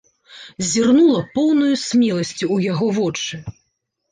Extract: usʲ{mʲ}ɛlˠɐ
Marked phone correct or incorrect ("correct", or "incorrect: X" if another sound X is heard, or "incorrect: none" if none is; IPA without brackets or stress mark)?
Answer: correct